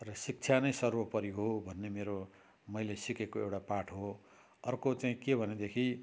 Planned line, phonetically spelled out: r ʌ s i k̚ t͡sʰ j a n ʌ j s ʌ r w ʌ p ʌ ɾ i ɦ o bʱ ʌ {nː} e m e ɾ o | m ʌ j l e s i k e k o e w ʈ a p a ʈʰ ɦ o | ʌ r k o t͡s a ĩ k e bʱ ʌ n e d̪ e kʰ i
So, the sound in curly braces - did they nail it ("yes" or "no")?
yes